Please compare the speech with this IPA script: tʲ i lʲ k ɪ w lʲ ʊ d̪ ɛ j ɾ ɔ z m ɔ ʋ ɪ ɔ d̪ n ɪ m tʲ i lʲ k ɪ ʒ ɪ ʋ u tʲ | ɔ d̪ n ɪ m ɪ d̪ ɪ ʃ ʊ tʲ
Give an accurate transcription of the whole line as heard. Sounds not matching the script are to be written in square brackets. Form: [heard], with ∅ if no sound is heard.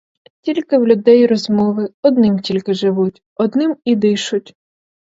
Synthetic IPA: tʲ i lʲ k ɪ w lʲ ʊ d̪ ɛ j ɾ ɔ z m ɔ ʋ ɪ ɔ d̪ n ɪ m tʲ i lʲ k ɪ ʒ ɪ ʋ u tʲ | ɔ d̪ n ɪ m [i] d̪ ɪ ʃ ʊ tʲ